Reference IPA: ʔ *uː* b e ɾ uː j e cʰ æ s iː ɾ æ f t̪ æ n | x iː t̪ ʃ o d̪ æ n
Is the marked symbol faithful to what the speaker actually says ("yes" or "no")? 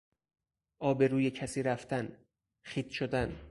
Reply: no